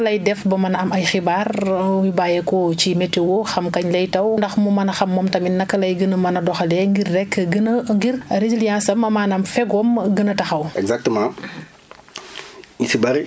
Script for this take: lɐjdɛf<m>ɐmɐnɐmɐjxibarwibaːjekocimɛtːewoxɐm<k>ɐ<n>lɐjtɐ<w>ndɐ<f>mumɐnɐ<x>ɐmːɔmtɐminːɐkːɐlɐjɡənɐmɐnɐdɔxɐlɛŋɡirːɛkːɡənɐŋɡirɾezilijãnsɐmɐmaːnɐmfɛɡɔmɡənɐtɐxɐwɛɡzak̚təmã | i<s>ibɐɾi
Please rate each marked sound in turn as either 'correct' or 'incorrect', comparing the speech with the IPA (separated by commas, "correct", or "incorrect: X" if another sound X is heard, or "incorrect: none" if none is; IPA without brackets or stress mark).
incorrect: b, correct, incorrect: ɲ, correct, incorrect: x, correct, correct